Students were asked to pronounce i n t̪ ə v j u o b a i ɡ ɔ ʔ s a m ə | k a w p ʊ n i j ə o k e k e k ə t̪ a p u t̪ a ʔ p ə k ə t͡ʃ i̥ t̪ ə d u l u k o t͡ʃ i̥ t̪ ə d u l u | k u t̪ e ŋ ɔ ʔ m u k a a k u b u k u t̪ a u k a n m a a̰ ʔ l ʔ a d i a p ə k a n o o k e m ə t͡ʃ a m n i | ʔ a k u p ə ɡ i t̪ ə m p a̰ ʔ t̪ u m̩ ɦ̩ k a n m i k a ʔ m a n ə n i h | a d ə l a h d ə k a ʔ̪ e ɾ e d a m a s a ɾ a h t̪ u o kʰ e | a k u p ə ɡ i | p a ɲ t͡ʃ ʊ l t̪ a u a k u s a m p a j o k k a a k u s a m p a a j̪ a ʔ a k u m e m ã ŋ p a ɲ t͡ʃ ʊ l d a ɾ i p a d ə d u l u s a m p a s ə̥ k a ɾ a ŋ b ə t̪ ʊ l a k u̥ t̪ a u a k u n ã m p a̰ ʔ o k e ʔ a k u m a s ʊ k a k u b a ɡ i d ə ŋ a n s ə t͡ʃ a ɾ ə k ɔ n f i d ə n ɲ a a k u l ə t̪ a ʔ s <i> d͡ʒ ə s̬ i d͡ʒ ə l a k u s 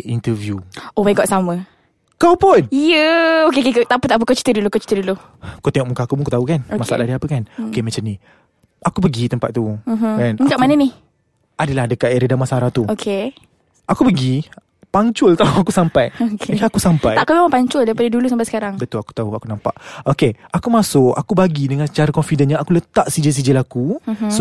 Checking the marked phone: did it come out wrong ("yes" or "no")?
no